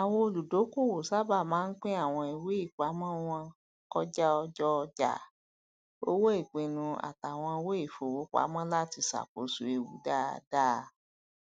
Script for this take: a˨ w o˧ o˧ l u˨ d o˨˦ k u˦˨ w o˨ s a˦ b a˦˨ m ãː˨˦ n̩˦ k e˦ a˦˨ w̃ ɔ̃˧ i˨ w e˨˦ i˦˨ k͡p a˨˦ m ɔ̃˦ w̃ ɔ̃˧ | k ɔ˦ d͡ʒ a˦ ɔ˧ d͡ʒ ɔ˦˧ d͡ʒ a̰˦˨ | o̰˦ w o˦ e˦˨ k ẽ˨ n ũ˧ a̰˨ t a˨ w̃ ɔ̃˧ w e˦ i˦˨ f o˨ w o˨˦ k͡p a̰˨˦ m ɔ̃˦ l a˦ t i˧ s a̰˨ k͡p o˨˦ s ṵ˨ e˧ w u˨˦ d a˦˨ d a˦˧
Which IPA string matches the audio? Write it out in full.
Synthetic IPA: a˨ w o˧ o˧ l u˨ d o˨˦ k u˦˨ w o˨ s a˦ b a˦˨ m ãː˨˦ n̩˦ k͡p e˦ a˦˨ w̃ ɔ̃˧ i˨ w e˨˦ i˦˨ k͡p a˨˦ m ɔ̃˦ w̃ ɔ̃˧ | k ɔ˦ d͡ʒ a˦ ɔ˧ d͡ʒ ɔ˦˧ d͡ʒ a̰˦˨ | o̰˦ w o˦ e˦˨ k͡p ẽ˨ n ũ˧ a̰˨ t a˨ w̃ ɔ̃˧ w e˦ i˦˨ f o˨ w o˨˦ k͡p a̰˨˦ m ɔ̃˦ l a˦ t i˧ s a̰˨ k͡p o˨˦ s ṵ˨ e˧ w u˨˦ d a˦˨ d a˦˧